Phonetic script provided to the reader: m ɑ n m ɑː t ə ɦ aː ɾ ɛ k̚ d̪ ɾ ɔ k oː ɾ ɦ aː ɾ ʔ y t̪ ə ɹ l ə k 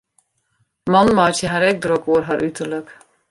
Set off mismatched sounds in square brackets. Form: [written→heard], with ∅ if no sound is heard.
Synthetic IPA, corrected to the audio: m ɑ n m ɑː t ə ɦ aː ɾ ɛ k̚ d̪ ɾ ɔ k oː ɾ ɦ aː ɾ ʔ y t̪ ə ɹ l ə k